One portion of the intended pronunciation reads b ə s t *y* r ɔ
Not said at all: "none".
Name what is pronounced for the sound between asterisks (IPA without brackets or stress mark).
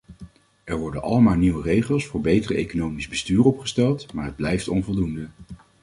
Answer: yː